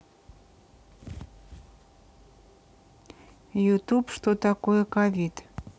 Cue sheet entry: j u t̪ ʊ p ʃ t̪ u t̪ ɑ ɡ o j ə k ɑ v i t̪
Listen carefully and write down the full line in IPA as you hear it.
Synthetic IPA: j u t̪ u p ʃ t̪ o t̪ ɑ k o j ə k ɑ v i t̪